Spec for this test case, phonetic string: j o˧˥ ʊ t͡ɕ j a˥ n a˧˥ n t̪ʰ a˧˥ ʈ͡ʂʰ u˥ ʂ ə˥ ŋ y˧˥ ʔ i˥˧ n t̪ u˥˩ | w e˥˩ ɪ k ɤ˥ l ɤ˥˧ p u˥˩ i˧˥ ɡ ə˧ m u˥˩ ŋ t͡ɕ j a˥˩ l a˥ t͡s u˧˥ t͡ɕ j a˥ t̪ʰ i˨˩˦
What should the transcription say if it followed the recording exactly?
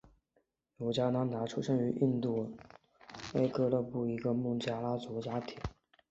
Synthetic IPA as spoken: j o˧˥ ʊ t͡ɕ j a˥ n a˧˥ n t̪ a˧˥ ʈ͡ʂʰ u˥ ʂ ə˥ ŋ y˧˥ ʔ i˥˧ n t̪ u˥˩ | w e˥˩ ɪ k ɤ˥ l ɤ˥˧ p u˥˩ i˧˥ ɡ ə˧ m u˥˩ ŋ t͡ɕ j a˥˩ l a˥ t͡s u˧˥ t͡ɕ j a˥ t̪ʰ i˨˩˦